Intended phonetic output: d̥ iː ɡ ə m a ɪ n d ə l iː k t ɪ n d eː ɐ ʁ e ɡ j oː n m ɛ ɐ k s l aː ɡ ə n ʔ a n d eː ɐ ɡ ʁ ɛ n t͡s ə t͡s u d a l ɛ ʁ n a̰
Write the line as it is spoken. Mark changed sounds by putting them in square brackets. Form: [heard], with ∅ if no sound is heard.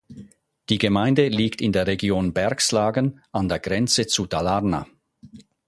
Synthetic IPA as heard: d̥ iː ɡ ə m a ɪ n d ə l iː k t ɪ n d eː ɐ ʁ e ɡ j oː n [b] ɛ ɐ k s l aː ɡ ə n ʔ a n d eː ɐ ɡ ʁ ɛ n t͡s ə t͡s u d a l [a] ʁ n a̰